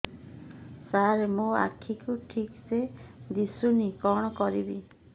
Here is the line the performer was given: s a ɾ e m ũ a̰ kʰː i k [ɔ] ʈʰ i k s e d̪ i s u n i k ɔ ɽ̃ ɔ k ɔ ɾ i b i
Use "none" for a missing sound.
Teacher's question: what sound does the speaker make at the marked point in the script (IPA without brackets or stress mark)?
u